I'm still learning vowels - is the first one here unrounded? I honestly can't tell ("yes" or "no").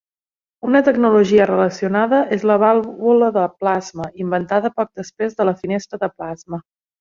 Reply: no